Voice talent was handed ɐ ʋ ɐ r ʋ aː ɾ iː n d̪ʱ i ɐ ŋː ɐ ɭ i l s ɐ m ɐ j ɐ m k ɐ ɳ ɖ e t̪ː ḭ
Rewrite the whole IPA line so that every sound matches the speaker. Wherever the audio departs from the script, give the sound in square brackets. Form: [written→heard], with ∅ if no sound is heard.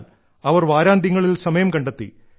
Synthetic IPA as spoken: ɐ ʋ ɐ r ʋ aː ɾ [iː→aː] n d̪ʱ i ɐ ŋː ɐ ɭ i l s ɐ m ɐ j ɐ m k ɐ ɳ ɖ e t̪ː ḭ